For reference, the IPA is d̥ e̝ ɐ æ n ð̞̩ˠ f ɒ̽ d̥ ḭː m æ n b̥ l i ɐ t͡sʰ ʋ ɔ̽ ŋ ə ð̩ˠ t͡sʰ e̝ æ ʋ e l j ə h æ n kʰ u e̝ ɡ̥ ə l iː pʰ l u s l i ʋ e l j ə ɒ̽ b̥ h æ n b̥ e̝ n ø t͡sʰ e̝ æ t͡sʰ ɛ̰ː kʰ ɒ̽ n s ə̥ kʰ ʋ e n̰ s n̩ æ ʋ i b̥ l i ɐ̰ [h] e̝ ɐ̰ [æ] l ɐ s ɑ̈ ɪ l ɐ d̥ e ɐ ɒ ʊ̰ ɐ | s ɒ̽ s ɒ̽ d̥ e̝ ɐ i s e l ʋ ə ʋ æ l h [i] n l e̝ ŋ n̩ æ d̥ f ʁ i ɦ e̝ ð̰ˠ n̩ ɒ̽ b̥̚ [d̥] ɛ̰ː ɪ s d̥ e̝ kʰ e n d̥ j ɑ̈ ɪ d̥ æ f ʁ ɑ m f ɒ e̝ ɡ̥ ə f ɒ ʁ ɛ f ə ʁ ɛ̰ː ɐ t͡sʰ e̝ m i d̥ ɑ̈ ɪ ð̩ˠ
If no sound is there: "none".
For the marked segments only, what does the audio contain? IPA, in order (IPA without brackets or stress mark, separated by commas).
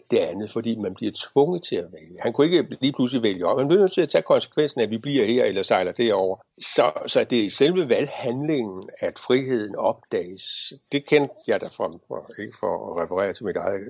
h, e, æ, d̥